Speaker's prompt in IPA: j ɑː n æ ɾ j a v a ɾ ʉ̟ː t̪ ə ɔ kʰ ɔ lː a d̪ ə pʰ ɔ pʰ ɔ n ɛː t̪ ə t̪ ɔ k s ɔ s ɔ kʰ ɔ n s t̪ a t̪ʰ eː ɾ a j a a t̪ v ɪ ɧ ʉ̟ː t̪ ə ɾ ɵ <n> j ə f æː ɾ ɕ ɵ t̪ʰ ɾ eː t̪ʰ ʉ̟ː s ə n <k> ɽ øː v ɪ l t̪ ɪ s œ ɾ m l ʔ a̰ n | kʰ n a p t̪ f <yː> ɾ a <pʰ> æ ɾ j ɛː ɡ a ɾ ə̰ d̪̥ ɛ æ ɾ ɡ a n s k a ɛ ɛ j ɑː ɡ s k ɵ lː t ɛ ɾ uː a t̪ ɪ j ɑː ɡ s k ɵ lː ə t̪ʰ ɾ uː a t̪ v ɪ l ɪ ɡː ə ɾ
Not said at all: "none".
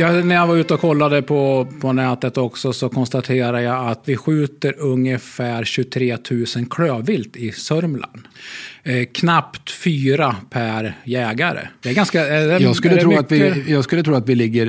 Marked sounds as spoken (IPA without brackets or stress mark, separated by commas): ŋ, kʰ, yː, pʰ